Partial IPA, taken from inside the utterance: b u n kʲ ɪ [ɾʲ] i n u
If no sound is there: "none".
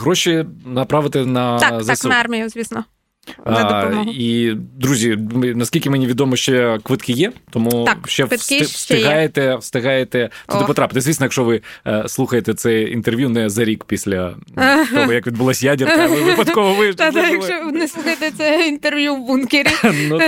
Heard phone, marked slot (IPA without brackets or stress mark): ɾʲ